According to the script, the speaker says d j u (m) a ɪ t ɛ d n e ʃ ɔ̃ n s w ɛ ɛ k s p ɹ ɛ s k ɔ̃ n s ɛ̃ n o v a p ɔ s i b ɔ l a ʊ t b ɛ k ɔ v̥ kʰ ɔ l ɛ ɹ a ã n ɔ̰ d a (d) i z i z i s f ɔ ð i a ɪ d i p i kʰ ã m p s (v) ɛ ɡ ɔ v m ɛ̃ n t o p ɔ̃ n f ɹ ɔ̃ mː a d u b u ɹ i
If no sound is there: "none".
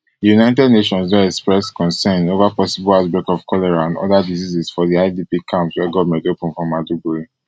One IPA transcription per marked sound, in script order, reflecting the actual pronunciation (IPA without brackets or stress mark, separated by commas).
n, d, w